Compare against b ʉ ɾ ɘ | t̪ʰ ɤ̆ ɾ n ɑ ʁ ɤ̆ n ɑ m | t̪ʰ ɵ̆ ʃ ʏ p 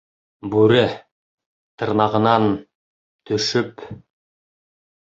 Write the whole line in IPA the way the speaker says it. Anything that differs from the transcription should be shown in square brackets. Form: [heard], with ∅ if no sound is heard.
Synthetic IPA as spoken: b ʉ ɾ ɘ | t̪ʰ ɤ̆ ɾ n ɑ ʁ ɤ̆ n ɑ [n] | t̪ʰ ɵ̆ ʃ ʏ p